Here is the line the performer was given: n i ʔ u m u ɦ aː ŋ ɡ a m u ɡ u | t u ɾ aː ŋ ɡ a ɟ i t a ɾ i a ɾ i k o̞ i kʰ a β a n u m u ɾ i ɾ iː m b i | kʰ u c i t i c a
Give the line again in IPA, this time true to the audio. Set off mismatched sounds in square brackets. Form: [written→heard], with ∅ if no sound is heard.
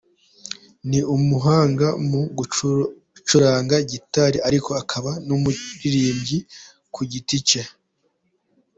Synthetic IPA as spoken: n i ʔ u m u ɦ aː ŋ ɡ a m u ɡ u | [t→t͡ʃ] u ɾ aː ŋ ɡ a ɟ i t a ɾ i a ɾ i k o̞ [i→a] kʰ a β a n u m u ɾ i ɾ iː m [b→ɟ] i | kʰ u [c→ɟ] i t i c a